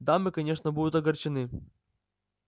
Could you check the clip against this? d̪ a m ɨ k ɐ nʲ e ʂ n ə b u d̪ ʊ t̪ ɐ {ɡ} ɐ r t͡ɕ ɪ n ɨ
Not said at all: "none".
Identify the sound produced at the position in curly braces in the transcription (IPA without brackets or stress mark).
ɡ